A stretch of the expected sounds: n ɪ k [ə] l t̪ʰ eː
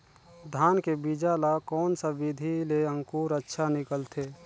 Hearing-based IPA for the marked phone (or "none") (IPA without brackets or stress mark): ə